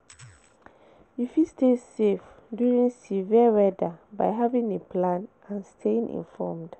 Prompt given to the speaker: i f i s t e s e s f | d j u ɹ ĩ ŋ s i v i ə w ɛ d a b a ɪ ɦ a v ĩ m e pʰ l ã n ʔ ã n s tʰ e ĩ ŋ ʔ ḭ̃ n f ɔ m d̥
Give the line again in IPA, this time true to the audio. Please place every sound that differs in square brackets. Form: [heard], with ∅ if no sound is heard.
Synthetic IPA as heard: i f i s t e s e [∅] f | d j u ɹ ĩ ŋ s i v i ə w ɛ d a b a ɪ ɦ a v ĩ [ŋ] e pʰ l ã n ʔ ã n s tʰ e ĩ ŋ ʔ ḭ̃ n f ɔ m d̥